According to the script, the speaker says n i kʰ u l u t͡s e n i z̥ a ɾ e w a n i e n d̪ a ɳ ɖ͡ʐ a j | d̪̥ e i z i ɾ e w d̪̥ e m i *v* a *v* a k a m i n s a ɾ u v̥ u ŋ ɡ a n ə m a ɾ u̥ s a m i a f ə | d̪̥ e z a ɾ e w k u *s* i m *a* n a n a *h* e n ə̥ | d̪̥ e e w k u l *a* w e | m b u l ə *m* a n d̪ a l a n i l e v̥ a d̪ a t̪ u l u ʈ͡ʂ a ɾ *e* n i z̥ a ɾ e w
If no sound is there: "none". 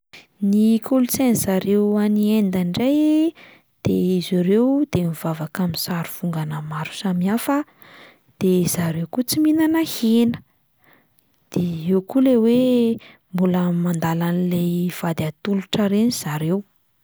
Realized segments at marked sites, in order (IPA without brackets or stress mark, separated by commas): v, v, t͡s, i, h, e, m, e